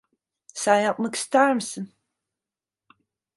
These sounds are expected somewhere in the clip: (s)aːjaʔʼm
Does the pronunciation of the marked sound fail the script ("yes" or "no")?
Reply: no